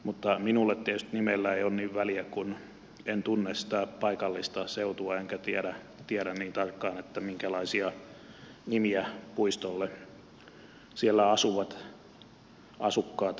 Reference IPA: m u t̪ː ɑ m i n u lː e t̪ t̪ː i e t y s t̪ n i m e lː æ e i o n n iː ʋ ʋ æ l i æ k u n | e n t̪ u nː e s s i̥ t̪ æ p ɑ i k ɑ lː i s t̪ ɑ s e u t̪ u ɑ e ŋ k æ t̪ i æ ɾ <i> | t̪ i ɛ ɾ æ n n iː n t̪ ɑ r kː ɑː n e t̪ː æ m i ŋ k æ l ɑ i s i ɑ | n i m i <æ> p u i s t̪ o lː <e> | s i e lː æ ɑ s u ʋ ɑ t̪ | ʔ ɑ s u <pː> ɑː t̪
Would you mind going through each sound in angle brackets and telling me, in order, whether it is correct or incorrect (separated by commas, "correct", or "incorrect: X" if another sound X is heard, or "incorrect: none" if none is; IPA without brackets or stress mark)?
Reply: incorrect: æ, correct, correct, incorrect: kː